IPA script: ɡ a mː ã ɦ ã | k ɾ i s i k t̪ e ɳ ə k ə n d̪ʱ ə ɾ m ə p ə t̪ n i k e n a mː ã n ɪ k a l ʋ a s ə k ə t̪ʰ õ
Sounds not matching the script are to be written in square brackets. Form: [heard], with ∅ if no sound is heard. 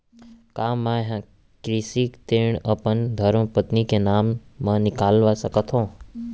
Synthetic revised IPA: [k] a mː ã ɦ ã | k ɾ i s i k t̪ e ɳ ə [p] ə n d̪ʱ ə ɾ m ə p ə t̪ n i k e n a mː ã n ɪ k a l ʋ a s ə k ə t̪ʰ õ